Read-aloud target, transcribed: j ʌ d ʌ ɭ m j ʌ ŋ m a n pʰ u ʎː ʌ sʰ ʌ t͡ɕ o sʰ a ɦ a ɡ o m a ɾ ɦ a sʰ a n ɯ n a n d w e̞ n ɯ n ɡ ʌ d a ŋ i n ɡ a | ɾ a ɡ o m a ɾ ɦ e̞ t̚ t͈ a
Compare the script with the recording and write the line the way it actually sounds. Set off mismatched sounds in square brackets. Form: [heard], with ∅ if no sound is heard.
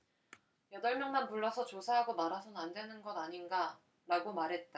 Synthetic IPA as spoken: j ʌ d ʌ ɭ m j ʌ ŋ m a n [p] u [ɭː] ʌ sʰ ʌ t͡ɕ o sʰ a ɦ a ɡ o m a ɾ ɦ a sʰ [ʌ] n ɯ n a n d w e̞ n ɯ n ɡ ʌ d a [ɲ] i n ɡ a | ɾ a ɡ o m a ɾ ɦ e̞ t̚ t͈ a